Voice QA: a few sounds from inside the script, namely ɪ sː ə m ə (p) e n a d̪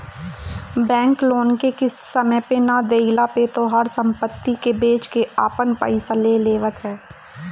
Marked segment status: correct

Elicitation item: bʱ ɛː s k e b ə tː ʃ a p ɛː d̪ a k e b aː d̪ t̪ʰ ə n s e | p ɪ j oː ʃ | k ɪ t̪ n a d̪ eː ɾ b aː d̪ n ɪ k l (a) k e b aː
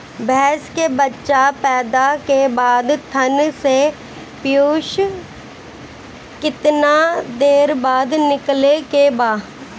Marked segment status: incorrect: e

